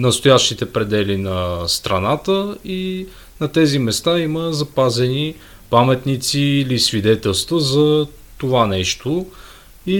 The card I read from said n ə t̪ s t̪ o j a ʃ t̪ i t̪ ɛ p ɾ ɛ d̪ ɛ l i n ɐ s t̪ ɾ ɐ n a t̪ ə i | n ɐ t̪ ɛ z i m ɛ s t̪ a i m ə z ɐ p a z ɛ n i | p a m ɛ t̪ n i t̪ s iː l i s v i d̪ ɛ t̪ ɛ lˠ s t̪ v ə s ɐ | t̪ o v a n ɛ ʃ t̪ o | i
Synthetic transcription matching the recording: n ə s t̪ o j a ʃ t̪ i t̪ ɛ p ɾ ɛ d̪ ɛ l i n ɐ s t̪ ɾ ɐ n a t̪ ə i | n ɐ t̪ ɛ z i m ɛ s t̪ a i m ə z ɐ p a z ɛ n i | p a m ɛ t̪ n i t̪ s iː l i s v i d̪ ɛ t̪ ɛ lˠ s t̪ v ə z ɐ | t̪ o v a n ɛ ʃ t̪ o | i